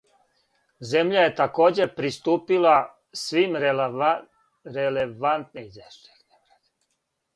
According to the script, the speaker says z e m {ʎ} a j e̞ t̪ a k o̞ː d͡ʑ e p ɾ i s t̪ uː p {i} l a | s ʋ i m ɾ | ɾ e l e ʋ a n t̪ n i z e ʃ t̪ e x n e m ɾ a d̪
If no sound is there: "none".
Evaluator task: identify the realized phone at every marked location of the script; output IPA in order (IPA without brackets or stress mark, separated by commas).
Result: ʎ, i